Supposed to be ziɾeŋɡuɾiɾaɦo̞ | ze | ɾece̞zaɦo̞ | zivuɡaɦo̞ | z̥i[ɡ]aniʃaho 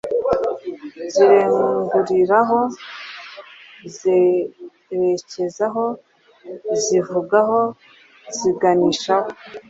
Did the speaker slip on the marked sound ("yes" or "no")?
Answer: no